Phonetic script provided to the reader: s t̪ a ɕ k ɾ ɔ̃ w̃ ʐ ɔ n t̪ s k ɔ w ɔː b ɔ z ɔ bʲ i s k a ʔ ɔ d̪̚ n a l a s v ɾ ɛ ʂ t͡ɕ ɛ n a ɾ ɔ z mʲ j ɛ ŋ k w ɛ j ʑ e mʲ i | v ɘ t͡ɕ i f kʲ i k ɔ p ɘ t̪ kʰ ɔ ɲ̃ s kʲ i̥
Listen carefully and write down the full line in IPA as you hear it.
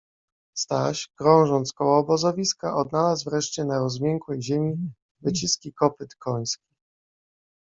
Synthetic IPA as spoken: s t̪ a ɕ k ɾ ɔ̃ w̃ ʐ ɔ n t̪ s k ɔ w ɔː b ɔ z ɔ vʲ i s k a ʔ ɔ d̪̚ n a l a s v ɾ ɛ ʂ t͡ɕ ɛ n a ɾ ɔ z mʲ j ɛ ŋ k w ɛ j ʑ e mʲ i | v ɘ t͡ɕ i s kʲ i k ɔ p ɘ t̪ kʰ ɔ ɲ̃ s kʲ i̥

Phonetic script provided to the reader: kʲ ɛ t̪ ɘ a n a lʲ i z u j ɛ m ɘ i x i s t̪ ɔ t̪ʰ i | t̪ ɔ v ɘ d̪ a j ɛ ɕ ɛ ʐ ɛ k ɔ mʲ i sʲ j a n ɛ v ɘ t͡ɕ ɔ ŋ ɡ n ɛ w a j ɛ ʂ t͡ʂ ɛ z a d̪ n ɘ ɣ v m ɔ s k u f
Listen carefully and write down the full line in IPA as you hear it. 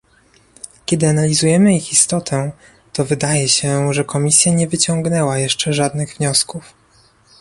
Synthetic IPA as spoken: kʲ ɛ d̪ ɘ a n a lʲ i z u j ɛ m ɘ i x i s t̪ ɔ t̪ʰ ɛ | t̪ ɔ v ɘ d̪ a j ɛ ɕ ɛ ʐ ɛ k ɔ mʲ i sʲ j a ɲ ɛ v ɘ t͡ɕ ɔ ŋ ɡ n ɛ w a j ɛ ʂ t͡ʂ ɛ ʐ a d̪ n ɘ ɣ v ɲ ɔ s k u f

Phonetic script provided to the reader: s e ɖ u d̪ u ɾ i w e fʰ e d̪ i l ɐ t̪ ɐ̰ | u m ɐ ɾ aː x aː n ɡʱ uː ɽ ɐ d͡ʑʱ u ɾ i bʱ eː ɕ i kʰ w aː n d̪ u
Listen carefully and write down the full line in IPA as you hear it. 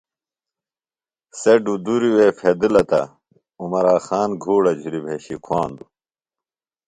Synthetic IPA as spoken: s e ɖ u d̪ u ɾ i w e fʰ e d̪ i l ɐ t̪ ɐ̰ | u m ɐ ɾ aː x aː n ɡʱ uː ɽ ɐ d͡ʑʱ u ɾ i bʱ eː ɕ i kʰ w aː n d̪ u

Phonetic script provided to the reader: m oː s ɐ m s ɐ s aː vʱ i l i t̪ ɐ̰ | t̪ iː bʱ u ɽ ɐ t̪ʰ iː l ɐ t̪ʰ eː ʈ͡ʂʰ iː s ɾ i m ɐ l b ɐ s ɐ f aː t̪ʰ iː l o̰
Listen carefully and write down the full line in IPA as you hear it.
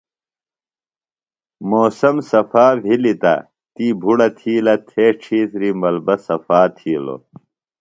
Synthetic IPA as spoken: m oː s ɐ m s ɐ f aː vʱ i l i t̪ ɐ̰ | t̪ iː bʱ u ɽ ɐ t̪ʰ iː l ɐ t̪ʰ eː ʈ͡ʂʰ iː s ɾ i m ɐ l b ɐ s ɐ f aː t̪ʰ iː l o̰

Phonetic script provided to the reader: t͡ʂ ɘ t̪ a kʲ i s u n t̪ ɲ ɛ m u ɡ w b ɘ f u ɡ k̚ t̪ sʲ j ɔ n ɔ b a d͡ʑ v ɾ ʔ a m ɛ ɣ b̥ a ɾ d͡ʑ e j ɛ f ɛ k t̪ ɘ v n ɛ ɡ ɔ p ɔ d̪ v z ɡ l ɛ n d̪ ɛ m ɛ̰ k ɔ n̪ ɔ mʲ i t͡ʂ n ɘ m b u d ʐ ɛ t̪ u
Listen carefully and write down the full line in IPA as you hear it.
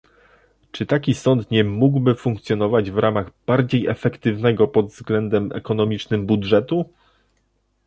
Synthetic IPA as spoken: t͡ʂ ɘ t̪ a kʲ i s ɔ n t̪ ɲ ɛ m u ɡ w b ɘ f u ŋ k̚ t̪ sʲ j ɔ n ɔ v a d͡ʑ v ɾ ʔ a m a ɣ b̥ a ɾ d͡ʑ e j ɛ f ɛ k t̪ ɘ v n ɛ ɡ ɔ p ɔ d̪ v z ɡ l ɛ n d̪ ɛ m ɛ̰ k ɔ n̪ ɔ mʲ i t͡ʂ n ɘ m b u d ʐ ɛ t̪ u

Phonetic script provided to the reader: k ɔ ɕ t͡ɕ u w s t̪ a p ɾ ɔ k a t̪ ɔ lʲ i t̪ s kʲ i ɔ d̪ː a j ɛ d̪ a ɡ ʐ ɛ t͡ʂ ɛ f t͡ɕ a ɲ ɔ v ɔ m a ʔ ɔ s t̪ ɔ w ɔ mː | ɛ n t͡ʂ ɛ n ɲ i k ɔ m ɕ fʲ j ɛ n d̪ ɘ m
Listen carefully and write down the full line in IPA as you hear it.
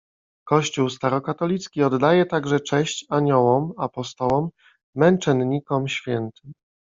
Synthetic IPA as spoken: k ɔ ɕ t͡ɕ u w s t̪ a ɾ ɔ k a t̪ ɔ lʲ i t̪ s kʲ i ɔ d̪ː a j ɛ t̪ a ɡ ʐ ɛ t͡ʂ ɛ ɕ t͡ɕ a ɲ ɔ w ɔ m a p ɔ s t̪ ɔ w ɔ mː | ɛ n t͡ʂ ɛ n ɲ i k ɔ m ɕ fʲ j ɛ n t̪ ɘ m

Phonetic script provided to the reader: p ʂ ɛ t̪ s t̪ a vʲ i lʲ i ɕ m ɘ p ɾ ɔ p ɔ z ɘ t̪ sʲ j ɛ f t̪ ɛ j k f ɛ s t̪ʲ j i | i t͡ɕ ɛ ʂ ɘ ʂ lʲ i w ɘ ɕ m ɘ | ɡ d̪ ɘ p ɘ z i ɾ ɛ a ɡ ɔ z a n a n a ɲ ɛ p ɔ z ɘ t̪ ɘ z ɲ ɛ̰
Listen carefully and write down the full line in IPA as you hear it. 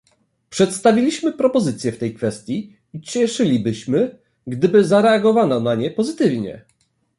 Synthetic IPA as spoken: p ʂ ɛ t̪ s t̪ a vʲ i lʲ i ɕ m ɘ p ɾ ɔ p ɔ z ɘ t̪ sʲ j ɛ f t̪ ɛ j k f ɛ s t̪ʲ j i | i t͡ɕ ɛ ʂ ɘ lʲ i b ɘ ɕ m ɘ | ɡ d̪ ɘ b ɘ z a ɾ ɛ a ɡ ɔ v a n a n a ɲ ɛ p ɔ z ɘ t̪ ɘ v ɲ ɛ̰

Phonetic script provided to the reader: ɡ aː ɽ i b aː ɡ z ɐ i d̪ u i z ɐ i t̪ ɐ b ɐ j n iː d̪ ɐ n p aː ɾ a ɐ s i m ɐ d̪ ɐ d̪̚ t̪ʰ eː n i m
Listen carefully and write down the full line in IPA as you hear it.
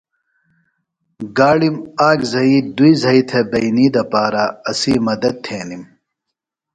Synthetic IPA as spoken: ɡ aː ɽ i m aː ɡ z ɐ i d̪ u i z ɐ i t̪ʰ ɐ b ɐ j n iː d̪ ɐ p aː ɾ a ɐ s i m ɐ d̪ ɐ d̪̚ t̪ʰ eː n i m

